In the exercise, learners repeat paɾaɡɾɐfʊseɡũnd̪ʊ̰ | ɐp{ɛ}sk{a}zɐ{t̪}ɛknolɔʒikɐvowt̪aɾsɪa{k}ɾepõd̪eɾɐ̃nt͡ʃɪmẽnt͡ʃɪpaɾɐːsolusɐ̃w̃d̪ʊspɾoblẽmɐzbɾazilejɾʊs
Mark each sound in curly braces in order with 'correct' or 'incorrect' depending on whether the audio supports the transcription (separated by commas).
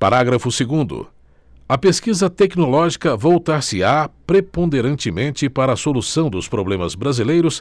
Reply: incorrect, incorrect, correct, incorrect